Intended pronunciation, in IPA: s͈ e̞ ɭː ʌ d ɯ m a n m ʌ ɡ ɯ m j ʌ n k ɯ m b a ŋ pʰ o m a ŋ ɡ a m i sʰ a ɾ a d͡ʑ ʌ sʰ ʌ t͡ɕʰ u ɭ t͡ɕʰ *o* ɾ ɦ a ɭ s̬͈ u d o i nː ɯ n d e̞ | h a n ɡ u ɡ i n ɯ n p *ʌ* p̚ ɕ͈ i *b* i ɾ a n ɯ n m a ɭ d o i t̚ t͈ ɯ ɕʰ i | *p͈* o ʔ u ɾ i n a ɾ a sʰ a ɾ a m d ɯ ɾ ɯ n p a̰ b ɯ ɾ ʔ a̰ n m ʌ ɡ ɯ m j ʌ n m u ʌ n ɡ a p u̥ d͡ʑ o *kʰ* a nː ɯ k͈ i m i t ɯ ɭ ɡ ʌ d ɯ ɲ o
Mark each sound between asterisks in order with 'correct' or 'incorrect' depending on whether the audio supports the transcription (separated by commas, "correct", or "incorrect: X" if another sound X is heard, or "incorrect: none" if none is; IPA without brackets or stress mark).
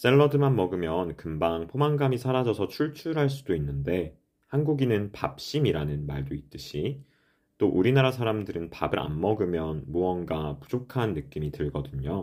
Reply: incorrect: u, incorrect: a, incorrect: m, incorrect: t͈, correct